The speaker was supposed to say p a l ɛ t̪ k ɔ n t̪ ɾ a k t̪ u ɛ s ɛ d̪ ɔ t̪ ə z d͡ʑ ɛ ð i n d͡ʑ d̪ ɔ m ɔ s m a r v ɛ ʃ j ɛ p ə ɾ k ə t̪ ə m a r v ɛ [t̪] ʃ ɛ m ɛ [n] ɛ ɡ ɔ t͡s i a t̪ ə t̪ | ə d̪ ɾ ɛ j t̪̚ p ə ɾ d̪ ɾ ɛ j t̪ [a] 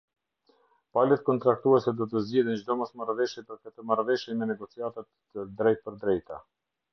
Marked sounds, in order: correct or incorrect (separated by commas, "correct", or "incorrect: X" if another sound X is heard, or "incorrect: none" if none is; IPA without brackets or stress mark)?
incorrect: none, correct, correct